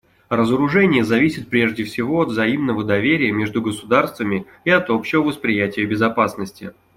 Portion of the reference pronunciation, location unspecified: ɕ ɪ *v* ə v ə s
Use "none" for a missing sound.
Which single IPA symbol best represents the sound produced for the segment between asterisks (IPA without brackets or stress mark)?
v